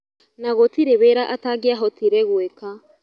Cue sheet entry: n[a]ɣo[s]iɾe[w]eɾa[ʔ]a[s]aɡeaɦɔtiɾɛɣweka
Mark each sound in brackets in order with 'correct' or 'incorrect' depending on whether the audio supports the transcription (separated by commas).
correct, incorrect, incorrect, correct, incorrect